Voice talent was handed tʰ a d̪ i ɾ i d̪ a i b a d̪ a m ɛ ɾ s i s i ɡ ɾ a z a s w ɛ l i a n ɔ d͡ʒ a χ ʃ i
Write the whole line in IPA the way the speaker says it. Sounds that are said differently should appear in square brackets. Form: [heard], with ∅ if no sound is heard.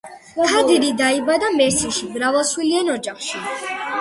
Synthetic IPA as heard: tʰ a d̪ i ɾ i d̪ a i b a d̪ a m ɛ ɾ s i [ʃ] i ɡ ɾ a [v] a s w [i] l i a n ɔ d͡ʒ a χ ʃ i